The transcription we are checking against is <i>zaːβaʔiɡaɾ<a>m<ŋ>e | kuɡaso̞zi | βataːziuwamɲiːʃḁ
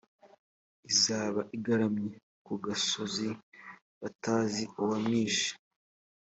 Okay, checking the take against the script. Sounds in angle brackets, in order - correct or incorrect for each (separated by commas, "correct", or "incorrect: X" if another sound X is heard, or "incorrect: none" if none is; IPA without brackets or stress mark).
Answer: correct, correct, incorrect: ɲ